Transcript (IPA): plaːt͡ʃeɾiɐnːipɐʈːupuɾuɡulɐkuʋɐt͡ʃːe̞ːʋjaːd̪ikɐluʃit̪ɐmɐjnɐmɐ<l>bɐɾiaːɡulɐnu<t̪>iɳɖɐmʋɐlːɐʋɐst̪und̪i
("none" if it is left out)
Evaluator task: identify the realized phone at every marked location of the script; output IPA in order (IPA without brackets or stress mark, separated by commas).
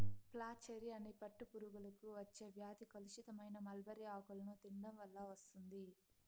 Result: l, t̪